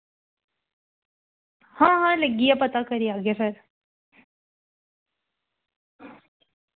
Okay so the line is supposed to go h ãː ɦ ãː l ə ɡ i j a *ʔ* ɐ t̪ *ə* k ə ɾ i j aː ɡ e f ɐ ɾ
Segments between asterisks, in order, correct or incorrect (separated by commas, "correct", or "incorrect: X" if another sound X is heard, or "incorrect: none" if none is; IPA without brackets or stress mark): incorrect: p, incorrect: a